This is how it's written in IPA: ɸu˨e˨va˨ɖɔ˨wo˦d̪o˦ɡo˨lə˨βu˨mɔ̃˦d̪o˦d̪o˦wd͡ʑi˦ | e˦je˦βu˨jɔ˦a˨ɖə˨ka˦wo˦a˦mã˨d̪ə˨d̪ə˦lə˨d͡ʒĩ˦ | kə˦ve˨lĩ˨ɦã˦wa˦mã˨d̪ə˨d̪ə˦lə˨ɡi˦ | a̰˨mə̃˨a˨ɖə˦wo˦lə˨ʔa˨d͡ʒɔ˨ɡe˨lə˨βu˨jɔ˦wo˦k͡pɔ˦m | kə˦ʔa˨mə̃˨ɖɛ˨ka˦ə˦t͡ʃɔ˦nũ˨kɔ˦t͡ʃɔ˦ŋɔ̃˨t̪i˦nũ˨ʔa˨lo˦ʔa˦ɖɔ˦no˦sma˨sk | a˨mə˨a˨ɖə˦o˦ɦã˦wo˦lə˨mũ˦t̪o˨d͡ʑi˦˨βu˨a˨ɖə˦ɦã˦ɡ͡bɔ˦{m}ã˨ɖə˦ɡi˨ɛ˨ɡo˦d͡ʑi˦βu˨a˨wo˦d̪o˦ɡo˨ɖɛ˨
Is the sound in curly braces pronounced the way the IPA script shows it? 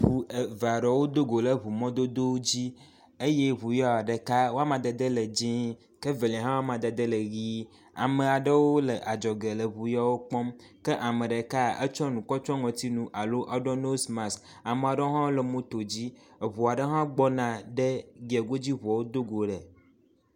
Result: no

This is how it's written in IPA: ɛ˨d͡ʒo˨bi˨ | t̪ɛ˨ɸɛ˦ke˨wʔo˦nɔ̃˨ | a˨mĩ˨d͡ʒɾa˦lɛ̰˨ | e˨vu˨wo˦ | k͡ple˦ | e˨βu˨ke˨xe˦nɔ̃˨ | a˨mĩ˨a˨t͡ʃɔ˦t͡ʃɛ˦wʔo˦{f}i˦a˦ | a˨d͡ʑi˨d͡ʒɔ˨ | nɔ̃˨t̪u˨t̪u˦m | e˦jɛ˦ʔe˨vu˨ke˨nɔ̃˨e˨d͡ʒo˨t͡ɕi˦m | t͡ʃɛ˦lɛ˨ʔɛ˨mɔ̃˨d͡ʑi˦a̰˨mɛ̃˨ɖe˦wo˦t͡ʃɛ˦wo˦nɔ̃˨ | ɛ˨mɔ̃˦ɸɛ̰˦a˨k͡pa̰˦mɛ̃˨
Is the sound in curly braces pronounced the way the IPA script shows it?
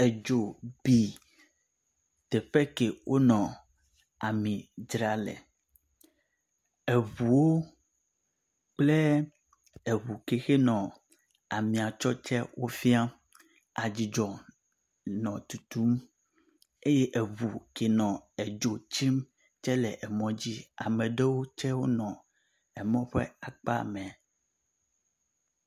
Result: yes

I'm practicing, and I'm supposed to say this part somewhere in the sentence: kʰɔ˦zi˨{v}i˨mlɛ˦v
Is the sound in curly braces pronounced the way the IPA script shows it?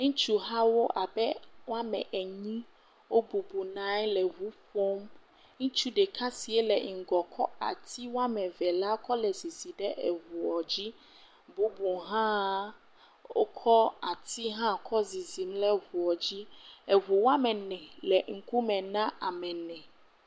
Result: no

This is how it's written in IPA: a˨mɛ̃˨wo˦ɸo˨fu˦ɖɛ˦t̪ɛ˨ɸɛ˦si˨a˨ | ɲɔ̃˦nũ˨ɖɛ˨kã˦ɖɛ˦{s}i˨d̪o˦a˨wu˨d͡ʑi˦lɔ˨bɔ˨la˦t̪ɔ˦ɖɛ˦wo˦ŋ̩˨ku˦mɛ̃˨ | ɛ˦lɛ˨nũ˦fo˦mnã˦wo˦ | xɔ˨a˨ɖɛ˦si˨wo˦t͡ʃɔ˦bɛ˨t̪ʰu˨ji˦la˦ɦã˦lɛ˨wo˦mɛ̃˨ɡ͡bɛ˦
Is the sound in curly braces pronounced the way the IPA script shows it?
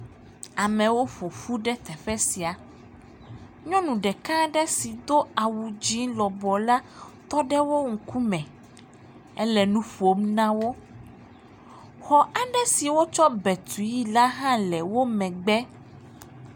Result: yes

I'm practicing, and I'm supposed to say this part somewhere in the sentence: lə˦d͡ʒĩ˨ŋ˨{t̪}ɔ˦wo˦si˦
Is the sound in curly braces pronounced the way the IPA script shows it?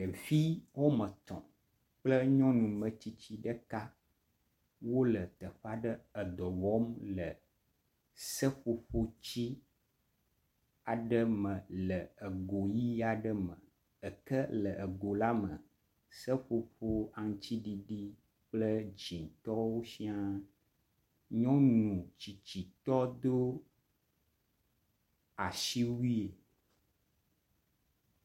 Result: yes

